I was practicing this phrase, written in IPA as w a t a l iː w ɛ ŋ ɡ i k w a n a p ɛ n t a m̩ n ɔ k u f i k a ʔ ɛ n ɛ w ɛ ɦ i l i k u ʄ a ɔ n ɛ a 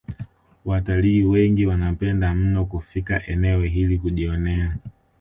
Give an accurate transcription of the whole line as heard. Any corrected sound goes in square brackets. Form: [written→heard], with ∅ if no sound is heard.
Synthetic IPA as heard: w a t a l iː w ɛ ŋ ɡ i [k→∅] w a n a p ɛ n [t→d] a m̩ n ɔ k u f i k a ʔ ɛ n ɛ w ɛ ɦ i l i k u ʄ [a→i] ɔ n ɛ a